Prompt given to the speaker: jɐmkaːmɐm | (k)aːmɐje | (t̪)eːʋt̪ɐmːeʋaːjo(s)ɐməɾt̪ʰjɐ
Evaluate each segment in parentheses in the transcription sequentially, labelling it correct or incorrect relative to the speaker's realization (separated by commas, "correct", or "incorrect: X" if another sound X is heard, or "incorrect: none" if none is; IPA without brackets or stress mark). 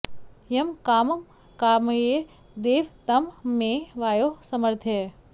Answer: correct, incorrect: d̪, correct